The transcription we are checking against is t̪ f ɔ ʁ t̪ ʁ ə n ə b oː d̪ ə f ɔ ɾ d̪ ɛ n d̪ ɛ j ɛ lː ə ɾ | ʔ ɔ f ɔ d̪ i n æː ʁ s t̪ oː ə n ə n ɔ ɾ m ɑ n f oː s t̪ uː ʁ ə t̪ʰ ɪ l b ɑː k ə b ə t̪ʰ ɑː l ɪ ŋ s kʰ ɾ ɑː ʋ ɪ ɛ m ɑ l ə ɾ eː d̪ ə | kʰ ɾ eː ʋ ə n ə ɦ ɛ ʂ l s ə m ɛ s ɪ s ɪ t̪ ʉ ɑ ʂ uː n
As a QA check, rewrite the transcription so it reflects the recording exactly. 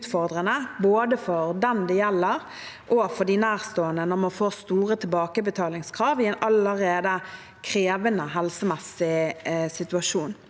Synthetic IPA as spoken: t̪ f ɔ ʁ d̪ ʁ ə n ə b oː d̪ ə f ɔ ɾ d̪ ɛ n d̪ ɛ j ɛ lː ə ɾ | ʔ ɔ f ɔ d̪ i n æː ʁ s t̪ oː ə n ə n ɔ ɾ m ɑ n f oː s t̪ uː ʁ ə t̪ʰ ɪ l b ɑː k ə b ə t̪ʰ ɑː l ɪ ŋ s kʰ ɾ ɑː ʋ ɪ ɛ n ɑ l ə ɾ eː d̪ ə | kʰ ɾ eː ʋ ə n ə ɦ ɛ l s ə m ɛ s ɪ s ɪ t̪ ʉ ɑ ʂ uː n